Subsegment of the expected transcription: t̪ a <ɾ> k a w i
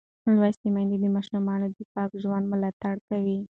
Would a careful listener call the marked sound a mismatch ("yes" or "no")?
yes